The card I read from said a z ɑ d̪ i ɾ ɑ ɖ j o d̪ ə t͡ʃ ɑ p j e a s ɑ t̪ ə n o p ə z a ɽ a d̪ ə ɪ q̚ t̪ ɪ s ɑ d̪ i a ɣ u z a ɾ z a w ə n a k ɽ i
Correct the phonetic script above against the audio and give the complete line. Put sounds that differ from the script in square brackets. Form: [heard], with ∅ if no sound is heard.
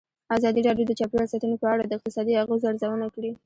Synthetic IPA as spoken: a z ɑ d̪ i ɾ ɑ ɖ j o d̪ ə t͡ʃ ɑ p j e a s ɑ t̪ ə n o p ə [∅] a ɽ a d̪ ə ɪ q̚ t̪ ɪ s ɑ d̪ i a ɣ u z a ɾ z a w ə n a k ɽ i